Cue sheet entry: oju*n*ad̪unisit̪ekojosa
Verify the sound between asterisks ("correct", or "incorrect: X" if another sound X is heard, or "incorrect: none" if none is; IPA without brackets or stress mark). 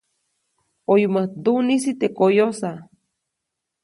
incorrect: m